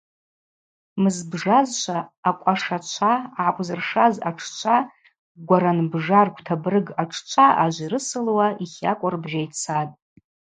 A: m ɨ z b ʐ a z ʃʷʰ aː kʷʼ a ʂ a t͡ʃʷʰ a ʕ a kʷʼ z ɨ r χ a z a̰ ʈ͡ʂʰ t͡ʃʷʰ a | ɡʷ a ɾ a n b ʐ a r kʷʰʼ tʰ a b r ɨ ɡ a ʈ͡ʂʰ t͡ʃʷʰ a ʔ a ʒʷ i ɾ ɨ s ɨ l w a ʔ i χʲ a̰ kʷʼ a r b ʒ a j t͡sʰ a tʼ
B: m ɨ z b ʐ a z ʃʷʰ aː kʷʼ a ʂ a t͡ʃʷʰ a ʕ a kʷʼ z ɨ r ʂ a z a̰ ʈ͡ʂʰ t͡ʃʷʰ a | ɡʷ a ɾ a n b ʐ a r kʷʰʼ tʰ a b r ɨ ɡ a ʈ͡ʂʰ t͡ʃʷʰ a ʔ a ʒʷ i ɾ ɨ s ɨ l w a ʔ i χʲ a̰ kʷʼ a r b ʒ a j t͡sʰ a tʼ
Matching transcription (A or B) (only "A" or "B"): B